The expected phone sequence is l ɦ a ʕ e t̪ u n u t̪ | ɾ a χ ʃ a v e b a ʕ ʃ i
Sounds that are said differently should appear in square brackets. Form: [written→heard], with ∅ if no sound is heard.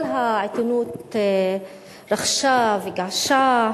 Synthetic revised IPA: l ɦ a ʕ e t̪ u n u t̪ | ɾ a χ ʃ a v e [b→ɡ] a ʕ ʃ [i→a]

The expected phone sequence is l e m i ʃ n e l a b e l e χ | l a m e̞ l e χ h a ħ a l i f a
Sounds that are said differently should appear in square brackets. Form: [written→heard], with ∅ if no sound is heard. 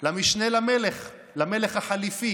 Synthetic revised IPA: l [e→a] m i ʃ n e l a [b→m] e l e χ | l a m e̞ l e χ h a ħ a l i f [a→i]

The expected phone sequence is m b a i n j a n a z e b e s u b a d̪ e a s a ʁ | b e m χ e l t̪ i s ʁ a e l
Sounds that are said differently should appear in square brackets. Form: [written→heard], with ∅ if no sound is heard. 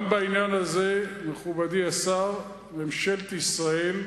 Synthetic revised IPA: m b a i n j a n a z e [b→m] e [s→χ] u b a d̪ [e→i] a s a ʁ | [b→m] e m [χ→ʃ] e l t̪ i s ʁ a e l

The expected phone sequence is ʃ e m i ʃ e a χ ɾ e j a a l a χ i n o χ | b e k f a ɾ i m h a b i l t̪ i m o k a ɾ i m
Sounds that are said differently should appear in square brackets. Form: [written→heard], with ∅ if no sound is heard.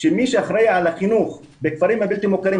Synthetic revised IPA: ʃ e m i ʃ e a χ ɾ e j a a l a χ i n [o→u] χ | b e k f a ɾ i m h a b i l t̪ i m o k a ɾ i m

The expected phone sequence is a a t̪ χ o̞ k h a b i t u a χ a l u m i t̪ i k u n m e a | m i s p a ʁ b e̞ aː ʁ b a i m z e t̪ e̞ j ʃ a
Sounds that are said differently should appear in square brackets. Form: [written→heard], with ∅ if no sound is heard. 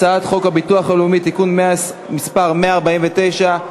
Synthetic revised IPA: a a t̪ χ o̞ k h a b i t u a χ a l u m i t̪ i k u n m e a | m i s p a ʁ [b→m] e̞ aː ʁ b a i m [z→v] e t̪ e̞ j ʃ a

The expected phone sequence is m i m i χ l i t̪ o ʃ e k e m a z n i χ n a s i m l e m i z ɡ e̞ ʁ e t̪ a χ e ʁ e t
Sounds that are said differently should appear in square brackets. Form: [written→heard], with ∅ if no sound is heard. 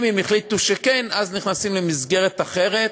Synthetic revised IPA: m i m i χ l i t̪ [o→u] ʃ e k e [m→n] a z n i χ n a s i m l e m i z ɡ e̞ ʁ e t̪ a χ e ʁ e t

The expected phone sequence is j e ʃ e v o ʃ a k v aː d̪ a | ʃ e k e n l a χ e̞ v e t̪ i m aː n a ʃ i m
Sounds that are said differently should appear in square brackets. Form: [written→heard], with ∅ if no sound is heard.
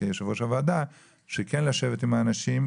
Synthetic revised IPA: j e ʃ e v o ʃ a [k→∅] v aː d̪ a | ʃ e k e n l a [χ→ʃ] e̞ v e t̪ i m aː n a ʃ i m

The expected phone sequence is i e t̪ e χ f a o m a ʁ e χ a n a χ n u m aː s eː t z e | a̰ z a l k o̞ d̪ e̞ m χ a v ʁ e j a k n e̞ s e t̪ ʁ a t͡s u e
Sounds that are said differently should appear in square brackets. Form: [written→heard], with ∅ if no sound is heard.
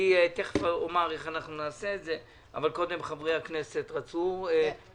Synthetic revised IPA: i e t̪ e χ f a o m a ʁ e χ a n a χ n u [m→n] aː s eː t z e | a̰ [z→v] a l k o̞ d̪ e̞ m χ a v ʁ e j a k n e̞ s e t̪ ʁ a t͡s u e

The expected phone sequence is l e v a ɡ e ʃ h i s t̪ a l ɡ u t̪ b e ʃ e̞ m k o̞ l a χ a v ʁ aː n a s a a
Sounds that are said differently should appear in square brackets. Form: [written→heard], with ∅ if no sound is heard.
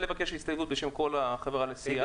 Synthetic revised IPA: l e v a [ɡ→k] e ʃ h i s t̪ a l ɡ u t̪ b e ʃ e̞ m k o̞ l a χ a v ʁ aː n [a→e] s [a→i] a

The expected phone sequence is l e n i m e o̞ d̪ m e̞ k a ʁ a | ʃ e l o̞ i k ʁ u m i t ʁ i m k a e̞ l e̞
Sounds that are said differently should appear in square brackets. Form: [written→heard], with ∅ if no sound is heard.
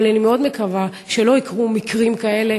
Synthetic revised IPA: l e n i m e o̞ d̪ m e̞ k a [ʁ→v] a | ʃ e l o̞ i k ʁ u m i [t→k] ʁ i m k a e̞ l e̞

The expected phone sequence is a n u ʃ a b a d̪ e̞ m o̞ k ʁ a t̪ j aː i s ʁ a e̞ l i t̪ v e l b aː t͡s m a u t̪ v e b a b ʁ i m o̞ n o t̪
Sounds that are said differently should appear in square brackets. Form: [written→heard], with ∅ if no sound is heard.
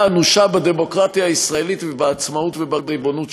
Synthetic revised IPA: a n u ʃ a b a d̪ e̞ m o̞ k ʁ a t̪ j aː i s ʁ a e̞ l i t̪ v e [l→∅] b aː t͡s m a u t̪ v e b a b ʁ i [m→b] o̞ n [o→u] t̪

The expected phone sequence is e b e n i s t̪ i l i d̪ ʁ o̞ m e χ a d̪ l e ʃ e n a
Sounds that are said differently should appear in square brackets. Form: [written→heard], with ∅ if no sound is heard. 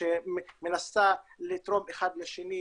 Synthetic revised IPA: e [b→m] e n [i→a] s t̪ [i→a] l i [d̪→t̪] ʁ o̞ m e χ a d̪ l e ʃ e n [a→i]

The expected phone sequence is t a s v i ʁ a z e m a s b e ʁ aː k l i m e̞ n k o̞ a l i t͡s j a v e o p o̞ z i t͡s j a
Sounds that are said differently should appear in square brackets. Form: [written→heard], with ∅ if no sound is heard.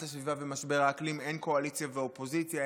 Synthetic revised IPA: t a s v i [ʁ→v] a [z→v] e m a s b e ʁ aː k l i m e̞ n k o̞ a l i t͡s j a v e o p o̞ z i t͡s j a

